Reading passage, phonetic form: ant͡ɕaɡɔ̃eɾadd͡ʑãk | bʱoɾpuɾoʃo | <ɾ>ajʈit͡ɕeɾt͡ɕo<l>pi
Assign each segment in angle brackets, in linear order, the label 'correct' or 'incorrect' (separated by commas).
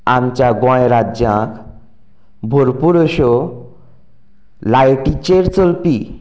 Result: incorrect, correct